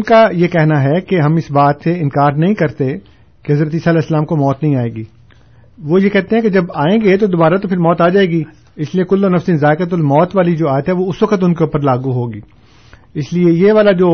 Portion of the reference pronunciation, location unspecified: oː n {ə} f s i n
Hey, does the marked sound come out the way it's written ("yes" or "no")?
no